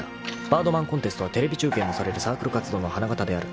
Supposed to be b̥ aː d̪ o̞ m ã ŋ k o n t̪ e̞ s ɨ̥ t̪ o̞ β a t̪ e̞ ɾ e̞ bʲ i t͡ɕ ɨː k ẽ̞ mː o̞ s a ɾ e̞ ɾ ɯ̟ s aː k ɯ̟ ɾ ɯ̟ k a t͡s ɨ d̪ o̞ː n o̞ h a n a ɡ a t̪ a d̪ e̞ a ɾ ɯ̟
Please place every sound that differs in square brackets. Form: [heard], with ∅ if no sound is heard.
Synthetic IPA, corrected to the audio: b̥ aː d̪ o̞ m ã ŋ k o n t̪ e̞ s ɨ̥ t̪ o̞ β a t̪ e̞ ɾ e̞ bʲ i t͡ɕ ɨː k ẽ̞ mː o̞ s a ɾ e̞ ɾ ɯ̟ s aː k ɯ̟ ɾ ɯ̟ k a t͡s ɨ d̪ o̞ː n o̞ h a n a ɡ a t̪ a d̪ e̞ a ɾ ɯ̟